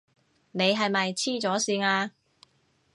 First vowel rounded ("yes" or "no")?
no